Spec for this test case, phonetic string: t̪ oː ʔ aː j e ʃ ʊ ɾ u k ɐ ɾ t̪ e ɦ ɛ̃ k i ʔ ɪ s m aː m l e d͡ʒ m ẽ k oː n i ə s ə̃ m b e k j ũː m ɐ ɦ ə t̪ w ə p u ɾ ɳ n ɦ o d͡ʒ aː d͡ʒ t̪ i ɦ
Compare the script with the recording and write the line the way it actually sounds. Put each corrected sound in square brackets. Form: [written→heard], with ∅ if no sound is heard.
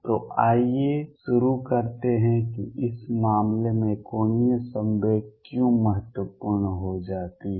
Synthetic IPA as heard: t̪ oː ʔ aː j e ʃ ʊ ɾ u k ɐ ɾ t̪ e ɦ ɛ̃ k i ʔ ɪ s m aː m l e [d͡ʒ→∅] m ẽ k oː n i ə s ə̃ m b e k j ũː m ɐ ɦ ə t̪ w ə p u ɾ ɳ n ɦ o d͡ʒ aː [d͡ʒ→∅] t̪ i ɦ